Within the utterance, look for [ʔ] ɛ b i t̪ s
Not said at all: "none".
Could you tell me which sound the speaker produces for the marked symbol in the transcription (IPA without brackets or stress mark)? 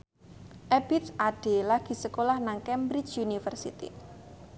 ʔ